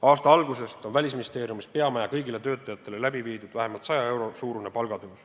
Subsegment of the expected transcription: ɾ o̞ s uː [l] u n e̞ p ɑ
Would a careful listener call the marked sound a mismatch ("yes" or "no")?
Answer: yes